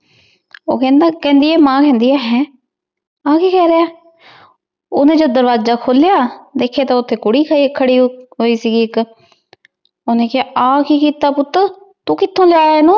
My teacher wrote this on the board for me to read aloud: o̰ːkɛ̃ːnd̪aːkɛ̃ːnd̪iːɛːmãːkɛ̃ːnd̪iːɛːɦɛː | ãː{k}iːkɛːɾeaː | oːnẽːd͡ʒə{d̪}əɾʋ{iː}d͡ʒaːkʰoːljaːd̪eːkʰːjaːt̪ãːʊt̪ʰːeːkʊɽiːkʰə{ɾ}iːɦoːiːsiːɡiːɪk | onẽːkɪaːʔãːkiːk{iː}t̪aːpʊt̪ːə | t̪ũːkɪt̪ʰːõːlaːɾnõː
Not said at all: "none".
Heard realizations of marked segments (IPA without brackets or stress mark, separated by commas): k, d̪, aː, ɽ, iː